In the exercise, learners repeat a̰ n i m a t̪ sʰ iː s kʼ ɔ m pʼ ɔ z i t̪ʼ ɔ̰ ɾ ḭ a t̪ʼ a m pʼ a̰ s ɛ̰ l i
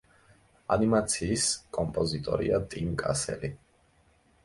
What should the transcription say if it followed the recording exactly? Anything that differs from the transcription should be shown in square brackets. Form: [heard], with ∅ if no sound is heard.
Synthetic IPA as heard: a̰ n i m a t̪ sʰ iː s kʼ ɔ m pʼ ɔ z i t̪ʼ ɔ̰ ɾ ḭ a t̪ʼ [i] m [kʼ] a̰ s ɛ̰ l i